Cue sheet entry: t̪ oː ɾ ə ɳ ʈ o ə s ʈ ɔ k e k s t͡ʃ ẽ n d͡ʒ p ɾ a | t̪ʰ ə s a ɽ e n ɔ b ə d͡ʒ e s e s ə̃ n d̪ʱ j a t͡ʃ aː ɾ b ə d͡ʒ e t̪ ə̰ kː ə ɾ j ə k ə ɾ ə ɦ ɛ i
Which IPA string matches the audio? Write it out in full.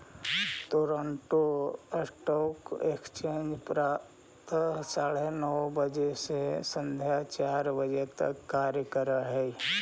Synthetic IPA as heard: t̪ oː ɾ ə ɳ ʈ o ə s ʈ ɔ k e k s t͡ʃ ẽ n d͡ʒ p ɾ a | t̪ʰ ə s a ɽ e n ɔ b ə d͡ʒ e s e s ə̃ n d̪ʱ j a t͡ʃ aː ɾ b ə d͡ʒ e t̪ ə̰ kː a ɾ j ə k ə ɾ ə ɦ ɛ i